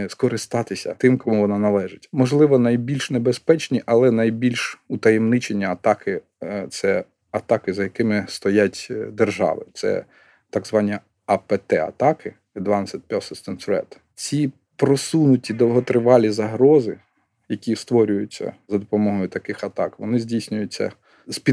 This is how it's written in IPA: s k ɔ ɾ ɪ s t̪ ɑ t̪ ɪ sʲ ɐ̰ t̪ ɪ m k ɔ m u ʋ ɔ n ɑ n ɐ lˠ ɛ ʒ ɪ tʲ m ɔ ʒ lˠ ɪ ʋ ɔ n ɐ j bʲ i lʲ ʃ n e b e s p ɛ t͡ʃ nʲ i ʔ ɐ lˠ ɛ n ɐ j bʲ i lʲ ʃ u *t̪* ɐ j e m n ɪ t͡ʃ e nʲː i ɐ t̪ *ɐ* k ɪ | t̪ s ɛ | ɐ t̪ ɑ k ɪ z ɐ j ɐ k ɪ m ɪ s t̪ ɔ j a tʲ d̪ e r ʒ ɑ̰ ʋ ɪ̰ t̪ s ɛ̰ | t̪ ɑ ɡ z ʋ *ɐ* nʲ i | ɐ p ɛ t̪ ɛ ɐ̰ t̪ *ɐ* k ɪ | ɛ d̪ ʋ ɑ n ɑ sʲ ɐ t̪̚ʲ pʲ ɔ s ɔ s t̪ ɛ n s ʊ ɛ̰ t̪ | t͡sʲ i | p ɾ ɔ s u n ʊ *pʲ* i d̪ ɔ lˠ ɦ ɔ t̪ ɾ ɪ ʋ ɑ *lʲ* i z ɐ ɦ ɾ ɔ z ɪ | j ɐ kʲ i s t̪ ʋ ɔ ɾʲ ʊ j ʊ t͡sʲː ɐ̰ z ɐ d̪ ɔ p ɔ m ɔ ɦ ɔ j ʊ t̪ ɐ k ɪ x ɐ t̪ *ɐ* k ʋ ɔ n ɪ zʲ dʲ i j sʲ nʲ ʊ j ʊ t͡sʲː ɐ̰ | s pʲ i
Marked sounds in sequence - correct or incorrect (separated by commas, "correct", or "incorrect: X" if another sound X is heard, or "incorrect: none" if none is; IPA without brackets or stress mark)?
correct, incorrect: ɑ, incorrect: ɑ, incorrect: ɑ, incorrect: tʲ, correct, incorrect: ɑ